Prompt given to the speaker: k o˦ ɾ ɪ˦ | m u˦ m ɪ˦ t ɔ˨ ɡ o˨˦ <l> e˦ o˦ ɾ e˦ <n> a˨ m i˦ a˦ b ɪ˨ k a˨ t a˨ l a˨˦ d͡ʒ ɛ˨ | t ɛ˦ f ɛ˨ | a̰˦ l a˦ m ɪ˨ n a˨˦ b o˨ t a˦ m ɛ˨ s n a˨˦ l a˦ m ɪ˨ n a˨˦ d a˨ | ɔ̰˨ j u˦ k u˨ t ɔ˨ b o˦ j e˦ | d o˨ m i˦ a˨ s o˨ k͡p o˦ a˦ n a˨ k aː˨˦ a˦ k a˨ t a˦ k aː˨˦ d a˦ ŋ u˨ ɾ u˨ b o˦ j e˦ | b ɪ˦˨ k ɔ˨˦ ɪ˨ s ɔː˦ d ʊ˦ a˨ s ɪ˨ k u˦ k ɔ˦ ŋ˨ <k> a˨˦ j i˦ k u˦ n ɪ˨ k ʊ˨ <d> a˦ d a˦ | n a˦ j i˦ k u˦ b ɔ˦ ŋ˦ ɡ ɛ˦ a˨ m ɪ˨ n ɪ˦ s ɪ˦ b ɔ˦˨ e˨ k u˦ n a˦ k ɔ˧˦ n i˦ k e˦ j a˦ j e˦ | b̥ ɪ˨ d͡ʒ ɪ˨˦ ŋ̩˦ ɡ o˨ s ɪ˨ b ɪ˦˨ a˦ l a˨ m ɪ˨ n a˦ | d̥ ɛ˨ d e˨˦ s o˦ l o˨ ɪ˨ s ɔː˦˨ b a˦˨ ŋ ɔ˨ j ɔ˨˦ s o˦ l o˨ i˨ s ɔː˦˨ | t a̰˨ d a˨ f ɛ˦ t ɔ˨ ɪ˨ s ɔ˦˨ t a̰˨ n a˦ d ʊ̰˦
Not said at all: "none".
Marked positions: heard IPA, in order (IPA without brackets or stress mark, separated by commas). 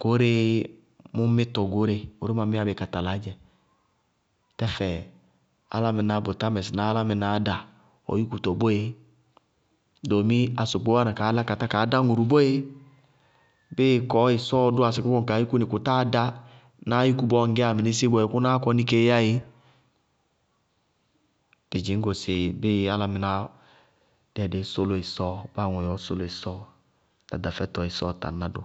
ɾ, m, k, t